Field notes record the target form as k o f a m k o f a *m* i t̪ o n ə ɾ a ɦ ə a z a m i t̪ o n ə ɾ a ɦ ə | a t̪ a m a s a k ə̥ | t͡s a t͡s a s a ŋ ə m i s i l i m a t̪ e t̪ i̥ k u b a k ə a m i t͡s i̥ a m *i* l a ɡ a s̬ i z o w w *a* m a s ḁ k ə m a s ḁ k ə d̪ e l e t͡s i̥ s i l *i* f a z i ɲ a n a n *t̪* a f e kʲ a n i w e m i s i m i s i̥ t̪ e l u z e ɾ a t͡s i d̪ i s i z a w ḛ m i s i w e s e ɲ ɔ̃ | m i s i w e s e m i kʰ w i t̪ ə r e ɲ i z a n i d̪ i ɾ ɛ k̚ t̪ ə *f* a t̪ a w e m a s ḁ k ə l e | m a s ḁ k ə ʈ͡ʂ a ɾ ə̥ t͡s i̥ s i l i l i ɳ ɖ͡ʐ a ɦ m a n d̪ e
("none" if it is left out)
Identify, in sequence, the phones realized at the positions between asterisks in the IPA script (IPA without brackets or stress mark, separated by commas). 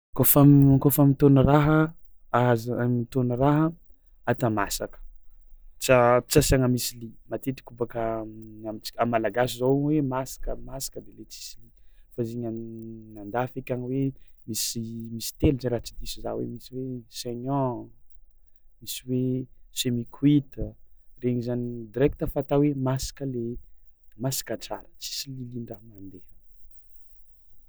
m, a, e, i, d̪, f